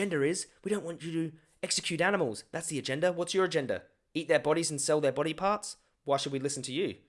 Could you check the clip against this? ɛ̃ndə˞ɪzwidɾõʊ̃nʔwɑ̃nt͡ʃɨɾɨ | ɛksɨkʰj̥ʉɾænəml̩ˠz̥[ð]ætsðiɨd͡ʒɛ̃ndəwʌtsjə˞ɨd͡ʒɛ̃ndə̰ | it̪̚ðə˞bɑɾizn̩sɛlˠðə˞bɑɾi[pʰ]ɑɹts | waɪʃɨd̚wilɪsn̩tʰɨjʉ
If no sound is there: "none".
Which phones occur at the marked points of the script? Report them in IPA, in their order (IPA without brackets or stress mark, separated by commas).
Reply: ð, pʰ